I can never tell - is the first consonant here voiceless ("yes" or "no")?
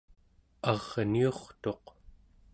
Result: no